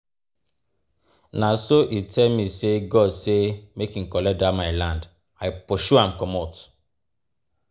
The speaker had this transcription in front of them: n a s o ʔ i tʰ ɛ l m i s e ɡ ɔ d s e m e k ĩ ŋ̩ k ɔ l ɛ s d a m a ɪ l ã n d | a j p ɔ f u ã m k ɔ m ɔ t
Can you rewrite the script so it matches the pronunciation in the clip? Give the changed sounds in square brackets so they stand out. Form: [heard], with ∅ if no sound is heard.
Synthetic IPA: n a s o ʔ i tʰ ɛ l m i s e ɡ ɔ d s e m e k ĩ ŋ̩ k ɔ l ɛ [∅] d a m a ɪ l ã n d | a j p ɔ [ʃ] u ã m k ɔ m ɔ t